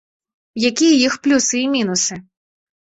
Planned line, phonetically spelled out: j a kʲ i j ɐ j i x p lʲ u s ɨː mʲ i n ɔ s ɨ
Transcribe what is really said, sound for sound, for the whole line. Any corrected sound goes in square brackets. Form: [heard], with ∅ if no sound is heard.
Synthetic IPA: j a kʲ i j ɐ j i x p lʲ u s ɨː mʲ i n [u] s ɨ